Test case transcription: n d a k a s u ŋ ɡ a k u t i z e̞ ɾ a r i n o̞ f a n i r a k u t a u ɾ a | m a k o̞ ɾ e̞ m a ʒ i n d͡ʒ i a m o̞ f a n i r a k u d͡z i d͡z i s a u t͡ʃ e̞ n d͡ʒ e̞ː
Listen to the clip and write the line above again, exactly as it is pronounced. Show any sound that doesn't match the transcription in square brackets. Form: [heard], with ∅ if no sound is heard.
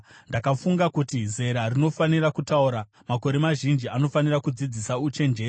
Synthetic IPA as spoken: n d a k a [f] u ŋ ɡ a k u t i z e̞ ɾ a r i n o̞ f a n i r a k u t a u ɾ a | m a k o̞ ɾ e̞ m a ʒ i n d͡ʒ i a [n] o̞ f a n i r a k u d͡z i d͡z i s a u t͡ʃ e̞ n d͡ʒ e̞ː